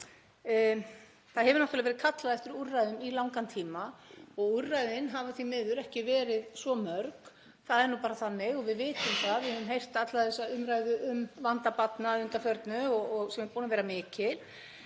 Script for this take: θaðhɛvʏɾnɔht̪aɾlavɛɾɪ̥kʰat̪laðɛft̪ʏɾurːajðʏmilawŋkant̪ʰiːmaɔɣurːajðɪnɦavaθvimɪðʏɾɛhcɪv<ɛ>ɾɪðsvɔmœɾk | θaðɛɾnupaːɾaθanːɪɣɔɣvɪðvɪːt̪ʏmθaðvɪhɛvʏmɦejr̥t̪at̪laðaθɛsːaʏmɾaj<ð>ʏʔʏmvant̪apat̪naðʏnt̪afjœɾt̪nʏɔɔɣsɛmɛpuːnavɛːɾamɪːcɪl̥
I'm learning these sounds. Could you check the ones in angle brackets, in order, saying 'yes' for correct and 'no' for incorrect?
no, yes

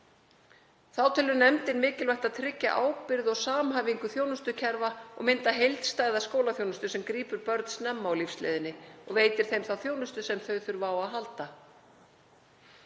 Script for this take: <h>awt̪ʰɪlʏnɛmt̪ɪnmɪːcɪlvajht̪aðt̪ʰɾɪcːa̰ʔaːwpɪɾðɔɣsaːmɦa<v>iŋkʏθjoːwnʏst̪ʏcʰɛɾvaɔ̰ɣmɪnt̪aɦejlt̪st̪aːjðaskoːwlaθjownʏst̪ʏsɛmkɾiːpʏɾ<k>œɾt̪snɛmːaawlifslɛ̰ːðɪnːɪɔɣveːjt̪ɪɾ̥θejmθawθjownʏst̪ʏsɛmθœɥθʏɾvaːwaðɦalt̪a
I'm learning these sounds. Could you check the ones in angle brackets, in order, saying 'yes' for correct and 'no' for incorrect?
no, yes, no

